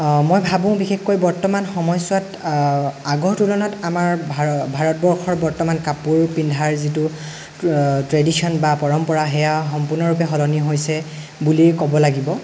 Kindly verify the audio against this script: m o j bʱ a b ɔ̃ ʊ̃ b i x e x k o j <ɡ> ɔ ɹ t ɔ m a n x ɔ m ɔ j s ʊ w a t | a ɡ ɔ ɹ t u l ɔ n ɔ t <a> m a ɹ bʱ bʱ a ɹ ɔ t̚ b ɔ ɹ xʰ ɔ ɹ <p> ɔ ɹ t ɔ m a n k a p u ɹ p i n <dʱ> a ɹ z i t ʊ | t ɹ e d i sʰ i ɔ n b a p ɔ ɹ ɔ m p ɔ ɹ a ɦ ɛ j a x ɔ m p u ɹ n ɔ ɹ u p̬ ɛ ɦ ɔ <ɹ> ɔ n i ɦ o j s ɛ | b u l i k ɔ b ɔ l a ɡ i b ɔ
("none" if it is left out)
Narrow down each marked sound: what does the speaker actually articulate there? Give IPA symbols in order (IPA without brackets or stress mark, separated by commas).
b, a, b, dʱ, l